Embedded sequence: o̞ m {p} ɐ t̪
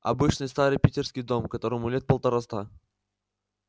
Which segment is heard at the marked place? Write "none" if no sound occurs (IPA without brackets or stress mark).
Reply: k